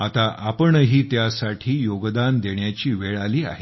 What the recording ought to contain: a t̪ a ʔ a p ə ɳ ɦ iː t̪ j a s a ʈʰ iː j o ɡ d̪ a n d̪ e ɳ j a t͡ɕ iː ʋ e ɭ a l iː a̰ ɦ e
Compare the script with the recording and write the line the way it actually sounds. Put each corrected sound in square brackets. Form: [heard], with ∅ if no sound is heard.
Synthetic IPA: a t̪ a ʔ a p ə ɳ ɦ iː t̪ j a s a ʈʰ iː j o ɡ d̪ a n d̪ e ɳ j a t͡ɕ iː ʋ e ɭ a l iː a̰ ɦ e